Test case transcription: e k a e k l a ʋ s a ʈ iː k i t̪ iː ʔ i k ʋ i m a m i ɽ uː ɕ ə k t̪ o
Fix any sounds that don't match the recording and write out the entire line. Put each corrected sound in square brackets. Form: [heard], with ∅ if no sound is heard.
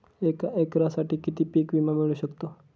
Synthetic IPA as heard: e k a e k [ɾ] a [∅] s a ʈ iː k i t̪ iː [p] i k ʋ i m a m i [ɭ] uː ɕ ə k t̪ o